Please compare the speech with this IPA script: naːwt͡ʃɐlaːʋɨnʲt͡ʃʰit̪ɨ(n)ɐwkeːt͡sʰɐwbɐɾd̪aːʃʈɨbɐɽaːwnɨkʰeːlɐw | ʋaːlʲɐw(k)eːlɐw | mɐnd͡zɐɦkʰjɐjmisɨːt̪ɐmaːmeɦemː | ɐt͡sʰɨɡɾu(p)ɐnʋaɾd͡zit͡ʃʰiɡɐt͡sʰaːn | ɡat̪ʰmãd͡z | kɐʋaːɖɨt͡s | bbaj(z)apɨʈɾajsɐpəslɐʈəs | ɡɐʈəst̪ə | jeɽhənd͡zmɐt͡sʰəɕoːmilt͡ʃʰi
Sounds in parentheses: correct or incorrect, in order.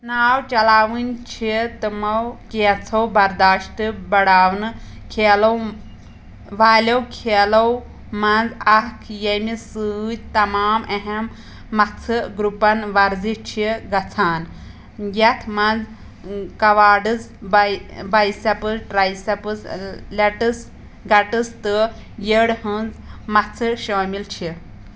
incorrect: m, incorrect: kʰ, correct, incorrect: s

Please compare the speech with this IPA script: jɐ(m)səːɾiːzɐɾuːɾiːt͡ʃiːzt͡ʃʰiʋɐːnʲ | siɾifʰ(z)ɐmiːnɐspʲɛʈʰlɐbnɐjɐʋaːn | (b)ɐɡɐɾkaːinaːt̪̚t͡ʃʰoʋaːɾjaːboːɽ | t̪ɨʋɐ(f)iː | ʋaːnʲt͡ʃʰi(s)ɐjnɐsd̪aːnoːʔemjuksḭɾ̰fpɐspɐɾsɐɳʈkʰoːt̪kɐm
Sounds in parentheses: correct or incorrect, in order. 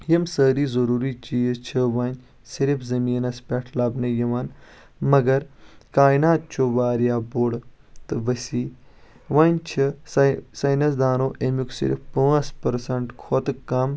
correct, correct, incorrect: m, incorrect: s, correct

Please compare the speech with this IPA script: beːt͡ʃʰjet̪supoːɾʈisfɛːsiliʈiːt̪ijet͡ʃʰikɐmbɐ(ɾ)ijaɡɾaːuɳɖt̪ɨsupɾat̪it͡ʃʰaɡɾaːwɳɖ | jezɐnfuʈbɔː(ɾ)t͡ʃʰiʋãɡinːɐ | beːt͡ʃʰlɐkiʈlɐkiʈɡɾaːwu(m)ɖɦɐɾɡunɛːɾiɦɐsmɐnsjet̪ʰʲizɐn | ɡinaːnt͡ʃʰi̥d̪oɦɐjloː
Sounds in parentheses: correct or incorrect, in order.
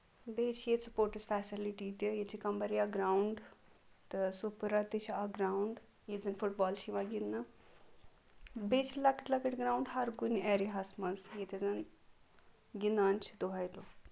correct, incorrect: l, incorrect: ɳ

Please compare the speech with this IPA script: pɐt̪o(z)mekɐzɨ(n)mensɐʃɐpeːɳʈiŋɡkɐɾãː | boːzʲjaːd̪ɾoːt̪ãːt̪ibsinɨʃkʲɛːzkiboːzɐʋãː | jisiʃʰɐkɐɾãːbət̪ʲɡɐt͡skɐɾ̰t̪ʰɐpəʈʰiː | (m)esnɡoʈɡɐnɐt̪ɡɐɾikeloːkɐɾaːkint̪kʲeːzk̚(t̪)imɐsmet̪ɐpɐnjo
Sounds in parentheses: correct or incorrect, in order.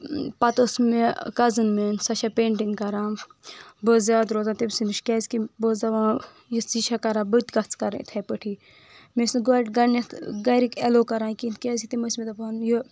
incorrect: s, correct, correct, correct

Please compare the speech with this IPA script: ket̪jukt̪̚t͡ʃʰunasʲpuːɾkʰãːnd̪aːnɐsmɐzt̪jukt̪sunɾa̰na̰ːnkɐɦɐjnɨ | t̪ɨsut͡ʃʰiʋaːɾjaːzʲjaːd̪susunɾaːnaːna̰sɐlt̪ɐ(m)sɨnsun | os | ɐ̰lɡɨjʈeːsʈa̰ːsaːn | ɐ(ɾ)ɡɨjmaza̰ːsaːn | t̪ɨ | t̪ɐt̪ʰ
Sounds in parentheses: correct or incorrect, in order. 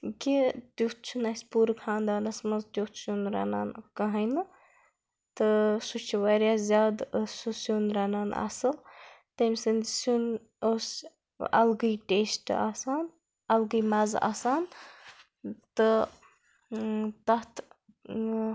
correct, incorrect: l

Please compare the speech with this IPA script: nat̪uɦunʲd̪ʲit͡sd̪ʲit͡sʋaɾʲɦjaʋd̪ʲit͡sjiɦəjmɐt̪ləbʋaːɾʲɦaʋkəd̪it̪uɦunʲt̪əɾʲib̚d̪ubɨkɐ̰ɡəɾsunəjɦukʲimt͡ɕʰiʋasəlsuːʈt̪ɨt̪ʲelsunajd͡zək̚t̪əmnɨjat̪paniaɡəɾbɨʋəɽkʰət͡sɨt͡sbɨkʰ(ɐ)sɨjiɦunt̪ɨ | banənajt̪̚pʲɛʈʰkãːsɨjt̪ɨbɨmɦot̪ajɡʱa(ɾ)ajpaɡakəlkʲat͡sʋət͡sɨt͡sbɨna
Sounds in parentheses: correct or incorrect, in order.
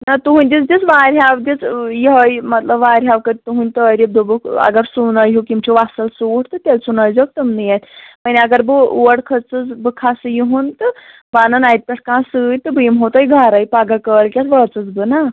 incorrect: a, correct

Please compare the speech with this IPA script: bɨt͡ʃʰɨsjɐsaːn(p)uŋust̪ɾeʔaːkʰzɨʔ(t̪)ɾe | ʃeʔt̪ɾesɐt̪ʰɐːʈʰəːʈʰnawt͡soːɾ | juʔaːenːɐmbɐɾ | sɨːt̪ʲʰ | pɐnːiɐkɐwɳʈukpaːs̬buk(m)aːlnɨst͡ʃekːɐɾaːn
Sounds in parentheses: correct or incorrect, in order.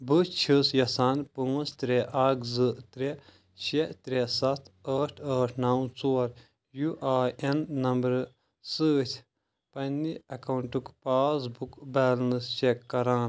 correct, correct, incorrect: b

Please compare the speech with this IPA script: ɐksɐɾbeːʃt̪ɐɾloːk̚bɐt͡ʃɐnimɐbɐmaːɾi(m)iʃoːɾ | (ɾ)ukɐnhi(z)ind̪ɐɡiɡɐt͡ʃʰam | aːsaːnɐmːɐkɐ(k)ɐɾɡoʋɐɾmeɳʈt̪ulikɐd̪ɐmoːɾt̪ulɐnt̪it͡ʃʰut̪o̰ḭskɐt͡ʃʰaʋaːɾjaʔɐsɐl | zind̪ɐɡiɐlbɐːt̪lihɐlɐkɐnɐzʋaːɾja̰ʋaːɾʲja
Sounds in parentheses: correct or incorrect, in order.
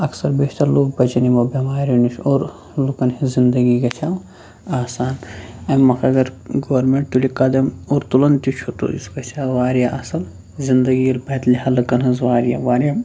incorrect: n, incorrect: l, correct, incorrect: ɡ

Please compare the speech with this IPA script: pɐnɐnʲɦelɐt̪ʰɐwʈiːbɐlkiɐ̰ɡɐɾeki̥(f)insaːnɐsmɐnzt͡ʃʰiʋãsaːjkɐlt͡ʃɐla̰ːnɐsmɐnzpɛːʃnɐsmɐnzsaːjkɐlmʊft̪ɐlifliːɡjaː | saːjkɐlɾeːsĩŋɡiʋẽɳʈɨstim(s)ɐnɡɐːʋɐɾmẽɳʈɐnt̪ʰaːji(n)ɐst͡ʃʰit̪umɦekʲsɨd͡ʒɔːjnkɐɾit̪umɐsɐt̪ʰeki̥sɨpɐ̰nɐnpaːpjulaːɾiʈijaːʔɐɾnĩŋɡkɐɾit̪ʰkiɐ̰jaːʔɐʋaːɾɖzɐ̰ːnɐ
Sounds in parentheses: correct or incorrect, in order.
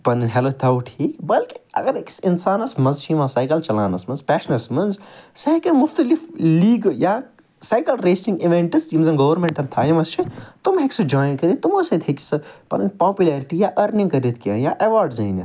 incorrect: s, incorrect: z, incorrect: m

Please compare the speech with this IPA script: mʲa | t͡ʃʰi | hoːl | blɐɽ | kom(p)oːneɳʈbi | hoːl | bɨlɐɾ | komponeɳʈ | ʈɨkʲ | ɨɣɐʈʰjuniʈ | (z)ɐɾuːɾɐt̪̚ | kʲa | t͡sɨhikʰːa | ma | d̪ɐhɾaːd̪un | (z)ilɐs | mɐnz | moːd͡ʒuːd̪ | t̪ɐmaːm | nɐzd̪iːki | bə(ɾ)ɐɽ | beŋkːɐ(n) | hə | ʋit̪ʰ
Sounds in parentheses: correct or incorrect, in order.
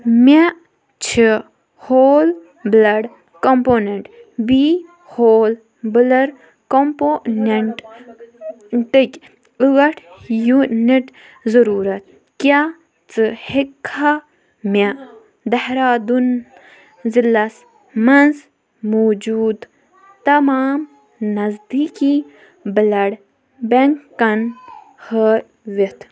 correct, correct, correct, incorrect: l, correct

